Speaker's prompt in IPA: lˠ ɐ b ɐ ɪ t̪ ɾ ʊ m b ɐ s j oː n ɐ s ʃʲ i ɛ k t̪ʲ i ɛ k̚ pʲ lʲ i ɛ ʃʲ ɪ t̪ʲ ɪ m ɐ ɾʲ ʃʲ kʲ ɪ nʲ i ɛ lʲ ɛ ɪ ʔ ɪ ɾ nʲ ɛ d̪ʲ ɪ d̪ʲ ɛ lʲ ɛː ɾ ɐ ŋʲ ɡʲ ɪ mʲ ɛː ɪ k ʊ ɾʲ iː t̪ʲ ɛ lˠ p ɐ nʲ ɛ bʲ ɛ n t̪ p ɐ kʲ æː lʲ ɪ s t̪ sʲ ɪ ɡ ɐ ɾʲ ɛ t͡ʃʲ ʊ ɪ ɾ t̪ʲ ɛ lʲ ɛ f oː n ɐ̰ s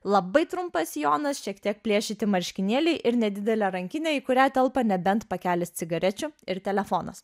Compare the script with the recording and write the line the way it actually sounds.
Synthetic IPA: lˠ ɐ b ɐ ɪ t̪ ɾ ʊ m p ɐ s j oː n ɐ s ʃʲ i ɛ k t̪ʲ i ɛ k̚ pʲ lʲ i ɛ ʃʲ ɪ t̪ʲ ɪ m ɐ ɾʲ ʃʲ kʲ ɪ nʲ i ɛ lʲ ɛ ɪ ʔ ɪ ɾ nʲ ɛ d̪ʲ ɪ d̪ʲ ɛ lʲ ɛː ɾ ɐ ŋʲ kʲ ɪ nʲ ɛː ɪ k ʊ ɾʲ æː t̪ʲ ɛ lˠ p ɐ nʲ ɛ bʲ ɛ n t̪ p ɐ kʲ æː lʲ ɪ s t̪ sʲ ɪ ɡ ɐ ɾʲ ɛ t͡ʃʲ ʊ ɪ ɾ t̪ʲ ɛ lʲ ɛ f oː n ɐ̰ s